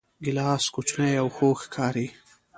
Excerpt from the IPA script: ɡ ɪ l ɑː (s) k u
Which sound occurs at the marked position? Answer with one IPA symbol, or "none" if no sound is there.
s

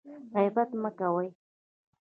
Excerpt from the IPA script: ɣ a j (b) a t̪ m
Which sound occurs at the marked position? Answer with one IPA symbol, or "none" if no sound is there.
b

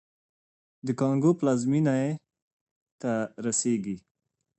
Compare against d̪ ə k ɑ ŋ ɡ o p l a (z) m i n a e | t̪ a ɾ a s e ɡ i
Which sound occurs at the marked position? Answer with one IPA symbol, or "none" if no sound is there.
z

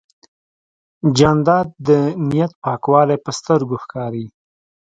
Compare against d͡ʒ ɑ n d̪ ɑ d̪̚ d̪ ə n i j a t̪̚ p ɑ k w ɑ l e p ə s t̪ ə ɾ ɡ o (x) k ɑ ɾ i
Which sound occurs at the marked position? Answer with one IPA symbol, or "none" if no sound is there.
x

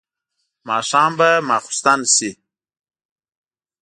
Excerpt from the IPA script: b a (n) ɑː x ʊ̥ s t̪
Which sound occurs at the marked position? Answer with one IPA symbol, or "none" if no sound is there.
m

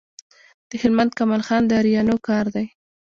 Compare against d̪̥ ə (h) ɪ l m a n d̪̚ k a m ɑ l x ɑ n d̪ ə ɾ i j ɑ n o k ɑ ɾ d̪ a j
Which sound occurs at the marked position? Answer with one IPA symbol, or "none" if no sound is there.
h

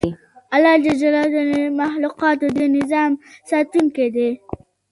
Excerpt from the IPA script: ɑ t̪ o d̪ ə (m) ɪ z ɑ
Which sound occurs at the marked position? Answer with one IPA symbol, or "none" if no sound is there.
n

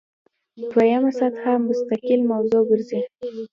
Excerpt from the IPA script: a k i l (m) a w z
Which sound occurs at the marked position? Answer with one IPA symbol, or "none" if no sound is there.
m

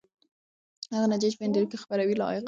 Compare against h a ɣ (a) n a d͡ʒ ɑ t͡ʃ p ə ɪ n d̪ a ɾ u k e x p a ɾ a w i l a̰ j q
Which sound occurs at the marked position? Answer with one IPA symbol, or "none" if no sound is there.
a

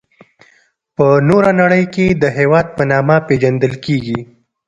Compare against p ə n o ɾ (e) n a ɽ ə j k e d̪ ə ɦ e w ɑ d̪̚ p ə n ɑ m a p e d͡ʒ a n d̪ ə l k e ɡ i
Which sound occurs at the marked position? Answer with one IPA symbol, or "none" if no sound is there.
a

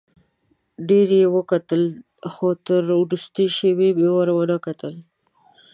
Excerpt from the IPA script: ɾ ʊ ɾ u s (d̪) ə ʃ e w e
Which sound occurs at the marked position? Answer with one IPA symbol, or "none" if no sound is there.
t̪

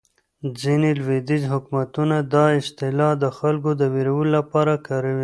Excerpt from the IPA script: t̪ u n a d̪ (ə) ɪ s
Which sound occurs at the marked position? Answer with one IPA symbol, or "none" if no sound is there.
ɑ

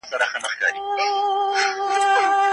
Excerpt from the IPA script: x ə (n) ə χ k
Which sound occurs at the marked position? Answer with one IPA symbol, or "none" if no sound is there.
n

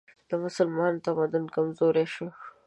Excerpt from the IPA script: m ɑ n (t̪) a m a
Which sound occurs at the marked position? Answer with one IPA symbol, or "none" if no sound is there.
t̪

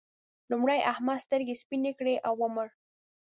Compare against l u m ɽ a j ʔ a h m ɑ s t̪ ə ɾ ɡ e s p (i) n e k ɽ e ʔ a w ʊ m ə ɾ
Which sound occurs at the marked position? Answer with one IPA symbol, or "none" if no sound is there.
i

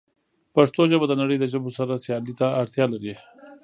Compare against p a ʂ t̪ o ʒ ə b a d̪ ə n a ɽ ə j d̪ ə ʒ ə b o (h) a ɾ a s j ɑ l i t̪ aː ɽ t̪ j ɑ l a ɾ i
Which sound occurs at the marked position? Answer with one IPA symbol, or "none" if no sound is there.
s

